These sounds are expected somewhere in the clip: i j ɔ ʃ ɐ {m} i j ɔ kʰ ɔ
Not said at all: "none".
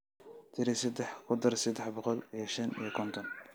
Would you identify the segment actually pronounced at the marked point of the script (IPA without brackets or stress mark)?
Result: n